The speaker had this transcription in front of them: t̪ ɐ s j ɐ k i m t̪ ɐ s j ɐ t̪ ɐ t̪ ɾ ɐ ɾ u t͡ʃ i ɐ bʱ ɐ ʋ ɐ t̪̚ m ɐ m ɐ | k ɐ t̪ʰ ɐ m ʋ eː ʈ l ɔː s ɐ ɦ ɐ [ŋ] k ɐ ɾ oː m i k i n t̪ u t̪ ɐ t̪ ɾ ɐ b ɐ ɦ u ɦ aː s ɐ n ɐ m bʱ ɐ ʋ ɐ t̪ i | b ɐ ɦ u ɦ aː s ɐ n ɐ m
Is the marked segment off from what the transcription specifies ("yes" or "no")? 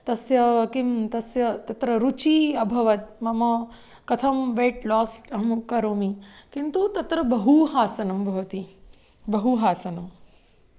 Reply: yes